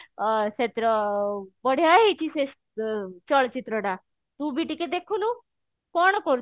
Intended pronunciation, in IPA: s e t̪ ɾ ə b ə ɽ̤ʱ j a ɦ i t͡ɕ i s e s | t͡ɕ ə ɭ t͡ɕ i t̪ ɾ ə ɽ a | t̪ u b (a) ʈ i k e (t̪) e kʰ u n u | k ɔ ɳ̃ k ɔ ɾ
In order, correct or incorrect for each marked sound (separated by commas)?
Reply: incorrect, incorrect